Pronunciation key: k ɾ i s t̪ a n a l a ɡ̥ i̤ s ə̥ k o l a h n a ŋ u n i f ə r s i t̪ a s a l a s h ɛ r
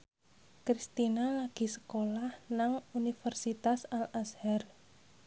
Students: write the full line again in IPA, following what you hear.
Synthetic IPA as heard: k ɾ i s t̪ i n a l a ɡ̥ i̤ s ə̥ k o l a h n a ŋ u n i f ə r s i t̪ a s a l a s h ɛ r